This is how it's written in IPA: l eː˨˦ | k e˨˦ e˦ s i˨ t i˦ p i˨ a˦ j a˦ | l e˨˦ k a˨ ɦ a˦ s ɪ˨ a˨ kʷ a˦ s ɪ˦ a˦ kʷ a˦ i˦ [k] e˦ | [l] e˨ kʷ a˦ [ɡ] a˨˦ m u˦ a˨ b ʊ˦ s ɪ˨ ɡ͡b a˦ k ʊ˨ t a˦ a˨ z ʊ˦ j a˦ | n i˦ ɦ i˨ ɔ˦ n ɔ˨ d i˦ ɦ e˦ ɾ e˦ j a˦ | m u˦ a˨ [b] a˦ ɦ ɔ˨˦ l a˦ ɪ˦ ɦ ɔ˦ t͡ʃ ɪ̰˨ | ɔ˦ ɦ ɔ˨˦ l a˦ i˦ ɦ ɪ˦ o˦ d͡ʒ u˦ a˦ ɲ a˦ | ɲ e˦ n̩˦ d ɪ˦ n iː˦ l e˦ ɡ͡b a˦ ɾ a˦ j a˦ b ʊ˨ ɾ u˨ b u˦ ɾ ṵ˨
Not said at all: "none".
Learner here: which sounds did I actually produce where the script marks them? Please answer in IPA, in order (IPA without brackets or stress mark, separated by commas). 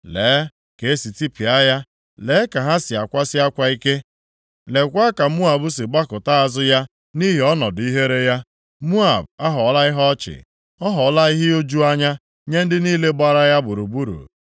k, l, k, b